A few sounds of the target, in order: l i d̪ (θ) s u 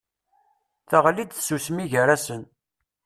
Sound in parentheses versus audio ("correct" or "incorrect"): correct